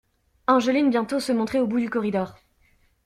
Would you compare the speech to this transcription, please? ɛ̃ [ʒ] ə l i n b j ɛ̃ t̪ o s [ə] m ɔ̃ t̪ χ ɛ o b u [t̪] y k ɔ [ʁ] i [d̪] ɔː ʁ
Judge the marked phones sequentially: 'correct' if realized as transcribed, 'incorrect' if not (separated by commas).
correct, correct, incorrect, correct, correct